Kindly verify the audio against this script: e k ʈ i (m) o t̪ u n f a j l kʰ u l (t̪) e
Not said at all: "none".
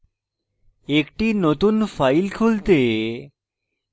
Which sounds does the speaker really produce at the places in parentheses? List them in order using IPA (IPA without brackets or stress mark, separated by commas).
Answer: n, t̪